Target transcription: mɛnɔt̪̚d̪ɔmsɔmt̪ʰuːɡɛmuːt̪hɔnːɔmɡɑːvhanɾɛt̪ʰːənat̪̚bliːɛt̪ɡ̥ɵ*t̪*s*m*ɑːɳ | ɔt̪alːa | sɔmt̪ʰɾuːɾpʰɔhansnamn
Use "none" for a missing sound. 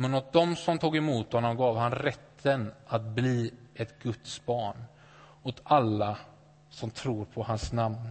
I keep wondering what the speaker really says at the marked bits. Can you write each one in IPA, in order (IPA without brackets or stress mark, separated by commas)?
t̪, b